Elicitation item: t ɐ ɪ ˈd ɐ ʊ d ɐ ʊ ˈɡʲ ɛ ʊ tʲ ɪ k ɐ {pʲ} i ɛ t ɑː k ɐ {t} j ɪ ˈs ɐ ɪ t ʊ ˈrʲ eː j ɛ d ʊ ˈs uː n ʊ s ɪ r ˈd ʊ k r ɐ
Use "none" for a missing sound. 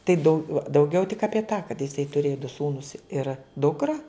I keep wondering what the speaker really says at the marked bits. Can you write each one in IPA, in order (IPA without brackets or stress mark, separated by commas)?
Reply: pʲ, t